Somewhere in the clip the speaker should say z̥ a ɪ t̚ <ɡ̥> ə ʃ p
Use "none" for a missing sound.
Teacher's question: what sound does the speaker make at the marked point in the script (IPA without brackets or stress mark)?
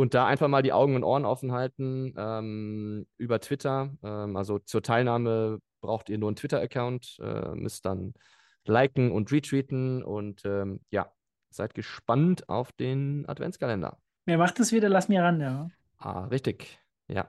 ɡ̥